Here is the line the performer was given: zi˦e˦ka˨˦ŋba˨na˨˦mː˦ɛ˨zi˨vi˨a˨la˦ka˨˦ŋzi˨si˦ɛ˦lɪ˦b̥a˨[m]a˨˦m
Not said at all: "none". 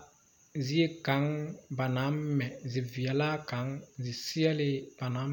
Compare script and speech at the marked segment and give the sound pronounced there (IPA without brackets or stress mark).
n